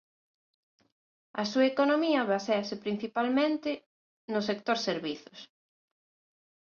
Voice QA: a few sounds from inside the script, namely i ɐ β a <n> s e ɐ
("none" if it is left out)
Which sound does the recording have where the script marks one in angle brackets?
none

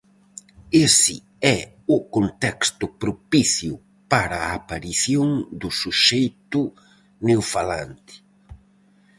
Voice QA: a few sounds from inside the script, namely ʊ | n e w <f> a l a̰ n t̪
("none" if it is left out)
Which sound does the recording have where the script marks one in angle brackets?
f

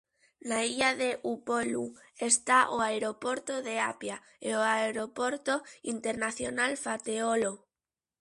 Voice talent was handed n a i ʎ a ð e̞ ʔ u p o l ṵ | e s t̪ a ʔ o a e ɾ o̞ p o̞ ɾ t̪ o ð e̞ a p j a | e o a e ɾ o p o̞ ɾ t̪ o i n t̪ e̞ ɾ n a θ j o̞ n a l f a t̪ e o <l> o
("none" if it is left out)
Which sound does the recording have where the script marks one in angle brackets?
l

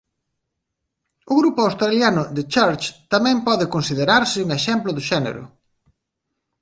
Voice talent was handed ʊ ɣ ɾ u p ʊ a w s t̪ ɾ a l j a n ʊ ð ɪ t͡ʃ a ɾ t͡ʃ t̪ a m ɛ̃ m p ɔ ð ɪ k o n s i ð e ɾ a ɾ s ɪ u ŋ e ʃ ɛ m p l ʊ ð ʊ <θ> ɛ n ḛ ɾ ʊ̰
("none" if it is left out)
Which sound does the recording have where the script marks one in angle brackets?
ʃ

